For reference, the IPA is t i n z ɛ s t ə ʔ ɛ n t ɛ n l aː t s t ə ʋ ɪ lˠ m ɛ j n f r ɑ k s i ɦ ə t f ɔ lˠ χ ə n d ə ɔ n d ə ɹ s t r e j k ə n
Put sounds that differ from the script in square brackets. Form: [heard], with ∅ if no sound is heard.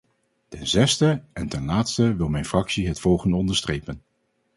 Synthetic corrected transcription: t [ɛ] n z ɛ s t ə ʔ ɛ n t ɛ n l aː t s t ə ʋ ɪ lˠ m ɛ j n f r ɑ k s i ɦ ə t f ɔ lˠ χ ə n d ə ɔ n d ə ɹ s t r e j [p] ə n